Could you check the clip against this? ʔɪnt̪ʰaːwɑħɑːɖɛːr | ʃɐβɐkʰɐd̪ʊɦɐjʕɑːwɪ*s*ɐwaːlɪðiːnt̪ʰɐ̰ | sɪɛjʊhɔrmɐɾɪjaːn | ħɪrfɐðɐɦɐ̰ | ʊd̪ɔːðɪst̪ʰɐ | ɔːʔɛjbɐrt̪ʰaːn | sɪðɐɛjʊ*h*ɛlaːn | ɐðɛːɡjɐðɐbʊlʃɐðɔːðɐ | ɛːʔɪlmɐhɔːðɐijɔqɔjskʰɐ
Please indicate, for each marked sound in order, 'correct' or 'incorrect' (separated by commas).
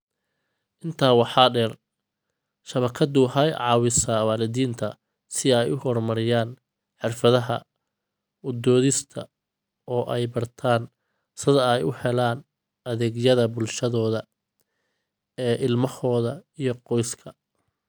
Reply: correct, correct